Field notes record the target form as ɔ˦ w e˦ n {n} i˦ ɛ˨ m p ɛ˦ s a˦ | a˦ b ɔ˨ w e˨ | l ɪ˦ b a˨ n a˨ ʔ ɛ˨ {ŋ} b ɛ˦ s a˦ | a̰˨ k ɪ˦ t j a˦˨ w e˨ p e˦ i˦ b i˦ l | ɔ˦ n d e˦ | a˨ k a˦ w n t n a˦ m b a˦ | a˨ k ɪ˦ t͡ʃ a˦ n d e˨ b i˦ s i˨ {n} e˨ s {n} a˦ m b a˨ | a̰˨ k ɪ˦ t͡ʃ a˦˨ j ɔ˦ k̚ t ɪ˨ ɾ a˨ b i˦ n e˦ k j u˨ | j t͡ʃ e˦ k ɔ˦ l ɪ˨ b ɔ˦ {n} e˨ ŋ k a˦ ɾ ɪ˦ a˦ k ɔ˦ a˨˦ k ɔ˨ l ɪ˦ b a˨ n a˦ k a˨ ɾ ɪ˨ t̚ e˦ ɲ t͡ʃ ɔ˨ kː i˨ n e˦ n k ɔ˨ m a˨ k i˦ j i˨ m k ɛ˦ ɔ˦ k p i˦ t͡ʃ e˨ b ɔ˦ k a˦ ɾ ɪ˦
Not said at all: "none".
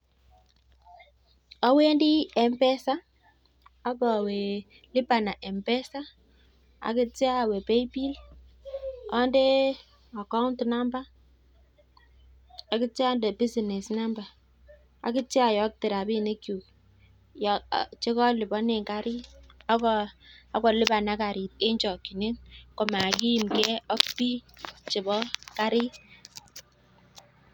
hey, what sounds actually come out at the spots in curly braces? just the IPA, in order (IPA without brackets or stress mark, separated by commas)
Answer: d, m, n, n, n